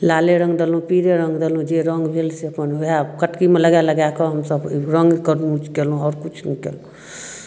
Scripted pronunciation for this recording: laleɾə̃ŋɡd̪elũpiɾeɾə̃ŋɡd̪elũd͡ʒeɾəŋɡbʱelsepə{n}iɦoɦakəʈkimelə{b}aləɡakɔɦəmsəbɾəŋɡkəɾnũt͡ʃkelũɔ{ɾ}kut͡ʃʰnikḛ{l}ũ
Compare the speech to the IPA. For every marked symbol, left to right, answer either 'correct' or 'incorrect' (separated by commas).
correct, incorrect, correct, correct